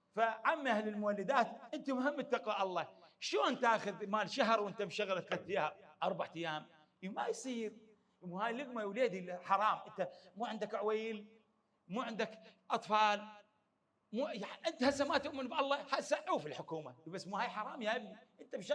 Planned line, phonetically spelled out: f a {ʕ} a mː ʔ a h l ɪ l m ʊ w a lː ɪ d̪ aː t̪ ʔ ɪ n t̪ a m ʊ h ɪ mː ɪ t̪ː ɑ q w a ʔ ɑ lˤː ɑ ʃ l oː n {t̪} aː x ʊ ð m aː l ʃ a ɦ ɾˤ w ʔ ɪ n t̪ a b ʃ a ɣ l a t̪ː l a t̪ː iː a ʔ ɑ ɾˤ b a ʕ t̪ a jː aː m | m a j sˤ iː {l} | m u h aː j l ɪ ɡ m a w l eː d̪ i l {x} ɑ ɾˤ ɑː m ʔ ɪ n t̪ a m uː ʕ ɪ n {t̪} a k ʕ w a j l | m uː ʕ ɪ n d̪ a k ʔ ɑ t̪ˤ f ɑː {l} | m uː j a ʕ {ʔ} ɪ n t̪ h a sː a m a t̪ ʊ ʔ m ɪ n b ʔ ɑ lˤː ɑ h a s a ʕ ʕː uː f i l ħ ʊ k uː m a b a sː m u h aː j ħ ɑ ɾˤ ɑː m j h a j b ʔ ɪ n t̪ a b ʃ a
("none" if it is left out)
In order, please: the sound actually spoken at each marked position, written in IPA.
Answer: ʕ, t̪, ɾ, ħ, d̪, l, ʔ

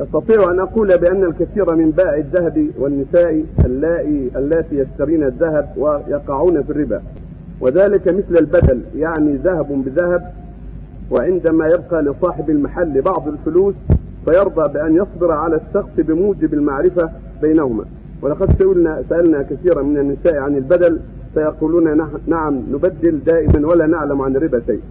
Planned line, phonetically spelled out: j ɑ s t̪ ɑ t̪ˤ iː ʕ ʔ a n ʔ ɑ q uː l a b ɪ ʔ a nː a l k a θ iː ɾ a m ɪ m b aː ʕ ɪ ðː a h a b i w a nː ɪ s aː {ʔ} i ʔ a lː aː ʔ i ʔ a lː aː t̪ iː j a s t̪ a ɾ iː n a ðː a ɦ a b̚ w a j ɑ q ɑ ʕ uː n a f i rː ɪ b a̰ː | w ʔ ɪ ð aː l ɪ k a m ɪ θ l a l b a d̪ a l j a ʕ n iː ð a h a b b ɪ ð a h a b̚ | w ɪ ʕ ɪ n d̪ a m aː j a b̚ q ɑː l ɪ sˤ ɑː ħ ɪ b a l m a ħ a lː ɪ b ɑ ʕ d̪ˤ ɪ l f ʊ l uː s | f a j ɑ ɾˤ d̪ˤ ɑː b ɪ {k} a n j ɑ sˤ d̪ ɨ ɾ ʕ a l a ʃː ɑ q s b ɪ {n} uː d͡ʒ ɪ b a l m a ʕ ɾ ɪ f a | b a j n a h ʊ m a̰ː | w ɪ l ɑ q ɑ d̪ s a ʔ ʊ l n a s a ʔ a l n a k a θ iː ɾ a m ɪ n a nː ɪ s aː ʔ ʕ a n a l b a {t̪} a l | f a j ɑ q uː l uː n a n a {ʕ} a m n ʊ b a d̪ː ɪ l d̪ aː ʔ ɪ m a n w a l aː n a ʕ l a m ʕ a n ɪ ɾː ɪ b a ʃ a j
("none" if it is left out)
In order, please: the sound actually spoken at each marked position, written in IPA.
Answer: ʔ, ʔ, m, d̪, ʕ

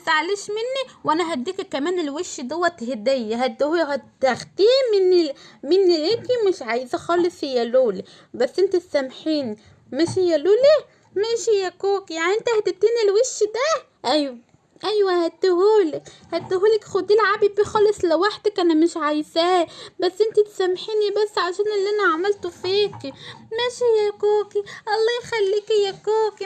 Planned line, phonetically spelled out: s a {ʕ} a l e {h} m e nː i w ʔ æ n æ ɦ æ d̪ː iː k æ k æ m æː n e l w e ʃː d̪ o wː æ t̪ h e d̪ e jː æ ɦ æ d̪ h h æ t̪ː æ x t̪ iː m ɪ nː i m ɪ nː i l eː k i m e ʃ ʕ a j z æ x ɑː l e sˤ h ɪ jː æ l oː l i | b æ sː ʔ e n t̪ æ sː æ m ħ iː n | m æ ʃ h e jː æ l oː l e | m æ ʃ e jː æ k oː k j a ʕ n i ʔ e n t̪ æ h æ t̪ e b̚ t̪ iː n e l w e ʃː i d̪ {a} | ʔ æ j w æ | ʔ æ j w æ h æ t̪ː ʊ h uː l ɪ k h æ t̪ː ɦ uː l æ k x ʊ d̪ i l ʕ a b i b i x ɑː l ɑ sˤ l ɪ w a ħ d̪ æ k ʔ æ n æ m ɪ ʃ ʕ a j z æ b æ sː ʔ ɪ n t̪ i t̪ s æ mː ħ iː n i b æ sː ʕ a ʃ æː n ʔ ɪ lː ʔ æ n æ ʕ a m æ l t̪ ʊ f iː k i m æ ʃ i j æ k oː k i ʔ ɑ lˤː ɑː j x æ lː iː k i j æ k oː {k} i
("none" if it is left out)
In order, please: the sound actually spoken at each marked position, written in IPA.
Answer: ʕ, ʃ, æ, k

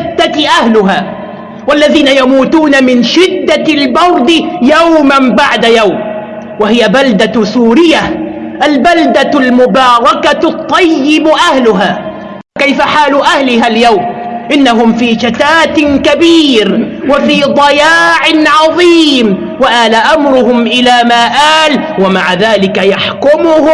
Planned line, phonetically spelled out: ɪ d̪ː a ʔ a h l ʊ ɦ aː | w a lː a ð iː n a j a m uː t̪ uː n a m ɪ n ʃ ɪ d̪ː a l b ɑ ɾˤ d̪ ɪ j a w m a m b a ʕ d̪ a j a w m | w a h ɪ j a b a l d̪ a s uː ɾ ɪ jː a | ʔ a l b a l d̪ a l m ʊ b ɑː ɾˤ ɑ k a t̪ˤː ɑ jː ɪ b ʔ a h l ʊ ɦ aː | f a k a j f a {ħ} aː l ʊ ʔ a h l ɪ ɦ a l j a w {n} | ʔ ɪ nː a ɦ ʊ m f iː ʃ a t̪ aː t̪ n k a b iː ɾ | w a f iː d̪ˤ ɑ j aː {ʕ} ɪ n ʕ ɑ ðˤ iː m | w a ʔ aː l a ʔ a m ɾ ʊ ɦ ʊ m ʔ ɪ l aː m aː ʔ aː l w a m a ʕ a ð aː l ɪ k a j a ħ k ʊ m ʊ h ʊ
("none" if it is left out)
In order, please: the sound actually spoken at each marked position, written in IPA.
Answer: ħ, m, ʕ

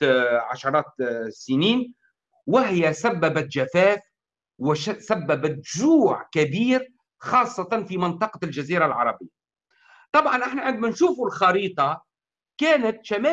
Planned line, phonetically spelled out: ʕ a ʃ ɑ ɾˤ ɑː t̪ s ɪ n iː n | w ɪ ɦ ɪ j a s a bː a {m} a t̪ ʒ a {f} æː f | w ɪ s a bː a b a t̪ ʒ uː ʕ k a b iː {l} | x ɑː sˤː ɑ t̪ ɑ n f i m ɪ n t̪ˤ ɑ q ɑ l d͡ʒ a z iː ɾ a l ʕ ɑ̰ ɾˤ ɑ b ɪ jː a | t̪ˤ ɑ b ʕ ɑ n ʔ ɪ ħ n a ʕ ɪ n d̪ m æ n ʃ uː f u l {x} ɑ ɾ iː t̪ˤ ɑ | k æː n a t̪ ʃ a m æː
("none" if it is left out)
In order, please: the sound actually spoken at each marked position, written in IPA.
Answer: b, f, ɾ, x

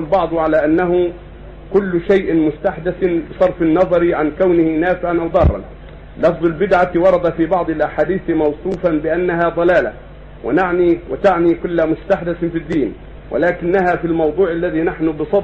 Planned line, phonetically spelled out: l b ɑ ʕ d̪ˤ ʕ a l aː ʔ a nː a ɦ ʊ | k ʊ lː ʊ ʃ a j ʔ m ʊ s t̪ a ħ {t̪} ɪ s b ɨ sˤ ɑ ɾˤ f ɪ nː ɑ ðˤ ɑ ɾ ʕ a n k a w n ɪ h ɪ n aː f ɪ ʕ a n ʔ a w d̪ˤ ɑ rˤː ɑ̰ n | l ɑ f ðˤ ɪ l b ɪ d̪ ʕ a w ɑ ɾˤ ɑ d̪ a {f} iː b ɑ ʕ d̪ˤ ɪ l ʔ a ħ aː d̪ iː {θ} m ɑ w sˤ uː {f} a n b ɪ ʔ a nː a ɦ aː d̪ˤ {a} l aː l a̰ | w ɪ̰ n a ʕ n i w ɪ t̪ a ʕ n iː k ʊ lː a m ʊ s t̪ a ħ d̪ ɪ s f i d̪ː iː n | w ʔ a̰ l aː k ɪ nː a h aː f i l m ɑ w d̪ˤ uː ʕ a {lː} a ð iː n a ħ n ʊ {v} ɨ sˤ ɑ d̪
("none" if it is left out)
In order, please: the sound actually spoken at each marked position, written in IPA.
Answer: d̪, f, θ, f, ɑ, lː, b

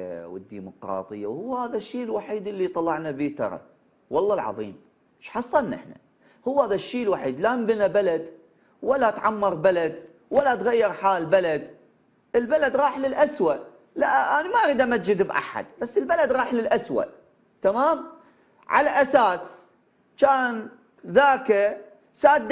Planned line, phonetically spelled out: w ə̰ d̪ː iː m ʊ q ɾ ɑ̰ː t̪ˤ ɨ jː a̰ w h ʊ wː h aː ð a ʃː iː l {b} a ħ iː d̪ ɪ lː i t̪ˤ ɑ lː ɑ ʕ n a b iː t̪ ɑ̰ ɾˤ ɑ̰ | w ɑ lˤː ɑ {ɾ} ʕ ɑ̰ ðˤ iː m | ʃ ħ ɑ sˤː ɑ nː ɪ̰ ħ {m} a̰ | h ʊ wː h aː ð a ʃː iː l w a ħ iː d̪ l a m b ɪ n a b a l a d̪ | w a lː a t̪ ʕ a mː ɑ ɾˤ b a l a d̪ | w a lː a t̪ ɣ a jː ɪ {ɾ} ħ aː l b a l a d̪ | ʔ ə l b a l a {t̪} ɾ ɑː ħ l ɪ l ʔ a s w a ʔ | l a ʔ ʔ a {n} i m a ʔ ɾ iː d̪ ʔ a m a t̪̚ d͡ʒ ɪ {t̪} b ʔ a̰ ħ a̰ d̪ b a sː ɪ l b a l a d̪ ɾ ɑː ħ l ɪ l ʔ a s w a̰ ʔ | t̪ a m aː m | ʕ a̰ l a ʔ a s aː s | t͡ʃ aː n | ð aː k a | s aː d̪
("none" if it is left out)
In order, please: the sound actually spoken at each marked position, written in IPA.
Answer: w, l, n, ɾ, d̪, n, d̪

